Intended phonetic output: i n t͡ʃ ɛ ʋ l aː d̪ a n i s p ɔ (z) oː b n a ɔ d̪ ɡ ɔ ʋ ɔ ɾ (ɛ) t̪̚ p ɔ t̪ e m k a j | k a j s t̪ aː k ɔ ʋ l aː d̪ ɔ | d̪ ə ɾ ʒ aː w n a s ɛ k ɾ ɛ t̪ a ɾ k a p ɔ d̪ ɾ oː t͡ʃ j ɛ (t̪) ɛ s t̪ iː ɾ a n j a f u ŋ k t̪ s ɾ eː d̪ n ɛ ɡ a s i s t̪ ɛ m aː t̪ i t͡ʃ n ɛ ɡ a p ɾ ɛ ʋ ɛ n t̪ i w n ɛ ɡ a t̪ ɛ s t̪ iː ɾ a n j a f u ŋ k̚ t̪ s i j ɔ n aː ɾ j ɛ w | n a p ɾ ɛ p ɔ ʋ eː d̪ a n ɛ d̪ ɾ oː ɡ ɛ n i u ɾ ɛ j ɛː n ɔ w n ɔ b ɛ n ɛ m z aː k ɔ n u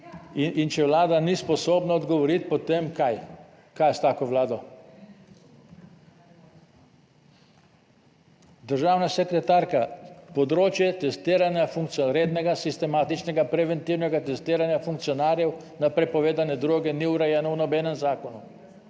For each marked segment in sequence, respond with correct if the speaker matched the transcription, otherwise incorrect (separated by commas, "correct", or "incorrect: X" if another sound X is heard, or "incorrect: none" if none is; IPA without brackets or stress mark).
incorrect: s, incorrect: i, correct